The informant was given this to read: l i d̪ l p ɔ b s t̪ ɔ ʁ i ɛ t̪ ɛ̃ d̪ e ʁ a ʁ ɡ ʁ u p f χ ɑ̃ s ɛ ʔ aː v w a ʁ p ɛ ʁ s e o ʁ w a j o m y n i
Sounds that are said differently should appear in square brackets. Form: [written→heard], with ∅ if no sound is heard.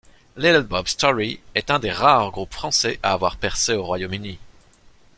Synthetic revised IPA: l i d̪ l [p→b] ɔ b s t̪ ɔ ʁ i ɛ t̪ ɛ̃ d̪ e ʁ a ʁ ɡ ʁ u p f χ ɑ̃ s ɛ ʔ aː v w a ʁ p ɛ ʁ s e o ʁ w a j o m y n i

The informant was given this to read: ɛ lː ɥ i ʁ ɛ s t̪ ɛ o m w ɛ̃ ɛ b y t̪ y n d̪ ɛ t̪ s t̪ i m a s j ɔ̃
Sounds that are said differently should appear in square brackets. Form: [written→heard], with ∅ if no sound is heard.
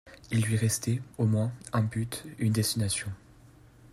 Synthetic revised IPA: [ɛ→i] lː ɥ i ʁ ɛ s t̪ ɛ o m w ɛ̃ [ɛ→ɛ̃] b y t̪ y n d̪ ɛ [t̪→∅] s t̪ i [m→n] a s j ɔ̃

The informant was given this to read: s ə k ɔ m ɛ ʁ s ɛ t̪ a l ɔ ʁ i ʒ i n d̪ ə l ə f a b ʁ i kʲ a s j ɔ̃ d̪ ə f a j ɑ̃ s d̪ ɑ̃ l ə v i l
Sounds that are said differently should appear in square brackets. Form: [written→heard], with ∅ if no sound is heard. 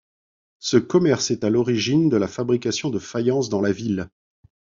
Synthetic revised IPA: s ə k ɔ m ɛ ʁ s ɛ t̪ a l ɔ ʁ i ʒ i n d̪ ə l [ə→a] f a b ʁ i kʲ a s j ɔ̃ d̪ ə f a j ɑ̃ s d̪ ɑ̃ l [ə→a] v i l

